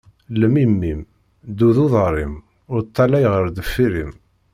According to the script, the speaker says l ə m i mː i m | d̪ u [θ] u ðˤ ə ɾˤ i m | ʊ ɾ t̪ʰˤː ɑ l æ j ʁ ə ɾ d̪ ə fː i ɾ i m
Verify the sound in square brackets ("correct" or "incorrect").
incorrect